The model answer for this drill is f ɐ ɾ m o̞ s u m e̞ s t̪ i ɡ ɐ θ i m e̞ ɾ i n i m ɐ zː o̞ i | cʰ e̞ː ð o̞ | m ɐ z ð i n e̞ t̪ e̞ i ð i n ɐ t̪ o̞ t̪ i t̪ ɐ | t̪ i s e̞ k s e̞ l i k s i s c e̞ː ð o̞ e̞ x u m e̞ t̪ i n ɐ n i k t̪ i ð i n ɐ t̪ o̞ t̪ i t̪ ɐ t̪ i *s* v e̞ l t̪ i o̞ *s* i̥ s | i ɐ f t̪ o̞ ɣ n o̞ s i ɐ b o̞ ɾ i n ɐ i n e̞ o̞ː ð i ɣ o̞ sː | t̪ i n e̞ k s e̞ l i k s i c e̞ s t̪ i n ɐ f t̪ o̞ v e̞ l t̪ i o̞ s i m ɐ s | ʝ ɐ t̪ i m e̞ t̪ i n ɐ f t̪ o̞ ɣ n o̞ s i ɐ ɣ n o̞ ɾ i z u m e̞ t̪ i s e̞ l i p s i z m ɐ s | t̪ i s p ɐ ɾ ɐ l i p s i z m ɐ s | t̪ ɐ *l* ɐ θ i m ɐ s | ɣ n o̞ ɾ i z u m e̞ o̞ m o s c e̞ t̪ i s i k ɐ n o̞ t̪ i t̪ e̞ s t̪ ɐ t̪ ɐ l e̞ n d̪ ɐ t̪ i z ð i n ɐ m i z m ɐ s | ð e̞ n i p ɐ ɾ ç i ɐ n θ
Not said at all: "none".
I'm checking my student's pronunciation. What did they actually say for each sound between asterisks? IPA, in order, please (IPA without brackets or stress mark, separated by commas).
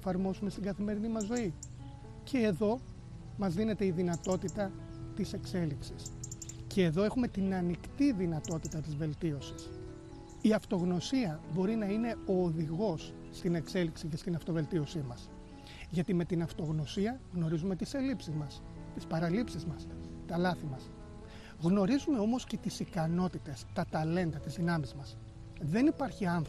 z, s, l